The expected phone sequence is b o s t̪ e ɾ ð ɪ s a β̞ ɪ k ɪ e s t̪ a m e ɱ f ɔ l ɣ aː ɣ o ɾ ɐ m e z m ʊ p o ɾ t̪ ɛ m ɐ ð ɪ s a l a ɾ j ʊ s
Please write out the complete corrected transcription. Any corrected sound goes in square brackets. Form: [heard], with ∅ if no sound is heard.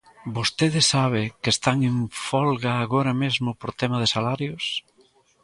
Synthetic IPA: b o s t̪ e [∅] ð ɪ s a β̞ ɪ k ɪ e s t̪ a [ŋ] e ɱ f ɔ l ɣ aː ɣ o ɾ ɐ m e z m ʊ p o ɾ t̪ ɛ m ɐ ð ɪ s a l a ɾ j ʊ s

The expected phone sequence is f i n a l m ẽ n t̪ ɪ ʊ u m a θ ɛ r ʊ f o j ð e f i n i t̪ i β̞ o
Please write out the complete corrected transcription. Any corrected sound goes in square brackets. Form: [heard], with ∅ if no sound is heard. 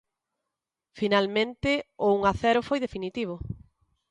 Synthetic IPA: f i n a l m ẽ n t̪ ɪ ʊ u [ŋ] a θ ɛ [ɾ] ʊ f o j ð e f i n i t̪ i β̞ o

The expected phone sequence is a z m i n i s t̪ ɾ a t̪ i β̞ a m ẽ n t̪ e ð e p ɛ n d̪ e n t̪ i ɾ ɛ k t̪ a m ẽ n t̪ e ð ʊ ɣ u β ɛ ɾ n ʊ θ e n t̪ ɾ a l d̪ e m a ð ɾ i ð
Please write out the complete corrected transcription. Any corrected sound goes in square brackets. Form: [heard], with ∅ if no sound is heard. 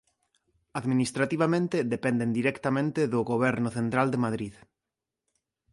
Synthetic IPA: a [ð] m i n i s t̪ ɾ a t̪ i β̞ a m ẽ n t̪ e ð e p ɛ n d̪ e n [d̪] i ɾ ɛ k t̪ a m ẽ n t̪ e ð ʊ ɣ [o] β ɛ ɾ n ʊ θ e n t̪ ɾ a l d̪ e m a ð ɾ i ð

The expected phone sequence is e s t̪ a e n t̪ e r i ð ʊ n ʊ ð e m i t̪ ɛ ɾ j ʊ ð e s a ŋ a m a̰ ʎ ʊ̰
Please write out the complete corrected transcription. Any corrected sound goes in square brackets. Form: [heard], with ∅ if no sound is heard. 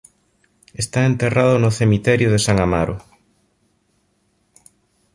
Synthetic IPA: e s t̪ a e n t̪ e r [a] ð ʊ n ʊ [θ] e m i t̪ ɛ ɾ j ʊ ð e s a ŋ a m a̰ [ɾ] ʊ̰

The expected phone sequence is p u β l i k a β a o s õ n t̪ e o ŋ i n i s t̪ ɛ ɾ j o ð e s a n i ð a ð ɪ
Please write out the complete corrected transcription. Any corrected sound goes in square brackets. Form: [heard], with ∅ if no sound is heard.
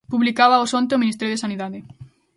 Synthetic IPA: p u β l i k a β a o s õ n t̪ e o [m] i n i s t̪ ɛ ɾ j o ð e s a n i ð a ð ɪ

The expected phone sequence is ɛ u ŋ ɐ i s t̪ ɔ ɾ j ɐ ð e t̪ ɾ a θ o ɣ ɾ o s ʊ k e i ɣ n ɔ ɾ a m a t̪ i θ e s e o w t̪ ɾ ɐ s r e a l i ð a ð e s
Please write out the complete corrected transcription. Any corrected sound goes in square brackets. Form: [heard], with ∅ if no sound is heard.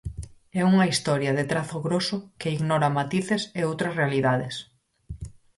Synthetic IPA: ɛ u ŋ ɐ i s t̪ ɔ ɾ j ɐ ð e t̪ ɾ a θ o ɣ ɾ o s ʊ k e i ɣ n ɔ ɾ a m a t̪ i θ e s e o w t̪ ɾ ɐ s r e a l i ð a ð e s

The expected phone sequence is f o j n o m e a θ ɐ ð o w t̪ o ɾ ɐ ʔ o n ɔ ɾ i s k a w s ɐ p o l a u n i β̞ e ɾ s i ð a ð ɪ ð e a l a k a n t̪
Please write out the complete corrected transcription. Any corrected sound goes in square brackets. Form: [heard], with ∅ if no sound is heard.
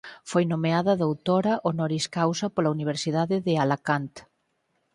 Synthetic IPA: f o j n o m e a [ð] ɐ ð o w t̪ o ɾ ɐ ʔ o n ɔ ɾ i s k a w s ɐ p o l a u n i β̞ e ɾ s i ð a ð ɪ ð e a l a k a n t̪

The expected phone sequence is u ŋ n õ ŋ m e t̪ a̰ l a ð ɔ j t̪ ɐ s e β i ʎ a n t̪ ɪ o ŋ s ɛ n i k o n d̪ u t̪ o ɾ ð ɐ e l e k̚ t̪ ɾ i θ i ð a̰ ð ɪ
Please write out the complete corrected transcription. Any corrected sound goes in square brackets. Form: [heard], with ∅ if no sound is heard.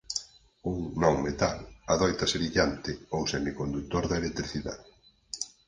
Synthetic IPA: u ŋ n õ ŋ m e t̪ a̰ l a ð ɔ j t̪ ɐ s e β i ʎ a n t̪ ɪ o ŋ s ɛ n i k o n d̪ u t̪ o ɾ ð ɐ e l e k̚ t̪ ɾ i θ i ð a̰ ð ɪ

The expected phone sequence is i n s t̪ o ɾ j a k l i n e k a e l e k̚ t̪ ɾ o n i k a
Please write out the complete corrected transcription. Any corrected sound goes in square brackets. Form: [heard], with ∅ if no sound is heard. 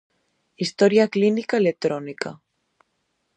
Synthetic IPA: i [∅] s t̪ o ɾ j a k l i n [i] k a e l e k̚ t̪ ɾ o n i k a

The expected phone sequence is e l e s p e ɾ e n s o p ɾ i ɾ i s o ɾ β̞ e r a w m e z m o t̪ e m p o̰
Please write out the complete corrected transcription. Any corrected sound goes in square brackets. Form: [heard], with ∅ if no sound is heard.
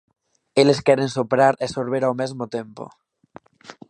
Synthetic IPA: e l e s [k] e ɾ e n s o p ɾ [a] ɾ [e] s o ɾ β̞ e [ɾ] a w m e z m o t̪ e m p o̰

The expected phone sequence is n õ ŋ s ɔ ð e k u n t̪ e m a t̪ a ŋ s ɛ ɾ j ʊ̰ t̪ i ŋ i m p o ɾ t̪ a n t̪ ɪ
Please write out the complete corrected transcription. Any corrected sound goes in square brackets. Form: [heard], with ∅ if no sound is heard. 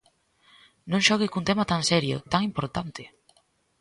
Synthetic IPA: n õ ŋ [ʃ] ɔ [ɣ] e k u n t̪ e m a t̪ a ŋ s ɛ ɾ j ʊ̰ t̪ [a] ŋ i m p o ɾ t̪ a n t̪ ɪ

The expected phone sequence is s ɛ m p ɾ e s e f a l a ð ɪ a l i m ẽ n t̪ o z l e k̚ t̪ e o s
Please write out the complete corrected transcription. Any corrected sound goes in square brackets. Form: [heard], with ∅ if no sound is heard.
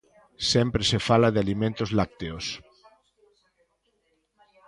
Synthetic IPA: s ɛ m p ɾ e s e f a l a ð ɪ a l i m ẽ n t̪ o z l [a] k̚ t̪ e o s

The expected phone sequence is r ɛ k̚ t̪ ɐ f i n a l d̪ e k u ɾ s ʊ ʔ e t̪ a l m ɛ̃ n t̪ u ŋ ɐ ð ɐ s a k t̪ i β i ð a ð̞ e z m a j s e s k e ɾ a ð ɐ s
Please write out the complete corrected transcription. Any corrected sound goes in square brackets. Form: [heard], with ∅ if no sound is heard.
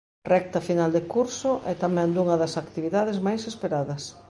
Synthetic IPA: r ɛ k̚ t̪ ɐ f i n a l d̪ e k u ɾ s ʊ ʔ [ɛ] t̪ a [∅] m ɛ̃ n [d̪] u ŋ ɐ ð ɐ s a k t̪ i β i ð a ð̞ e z m a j s e s [p] e ɾ a ð ɐ s

